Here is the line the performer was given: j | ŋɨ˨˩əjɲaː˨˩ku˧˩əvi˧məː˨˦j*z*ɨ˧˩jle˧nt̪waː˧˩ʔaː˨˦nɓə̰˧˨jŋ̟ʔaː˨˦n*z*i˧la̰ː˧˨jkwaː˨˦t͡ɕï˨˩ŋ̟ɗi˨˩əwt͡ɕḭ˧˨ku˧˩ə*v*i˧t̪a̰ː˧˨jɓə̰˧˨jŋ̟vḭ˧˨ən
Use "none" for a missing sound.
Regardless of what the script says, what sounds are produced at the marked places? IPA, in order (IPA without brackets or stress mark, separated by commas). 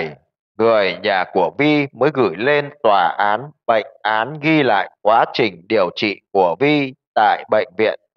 ɣ, ɣ, v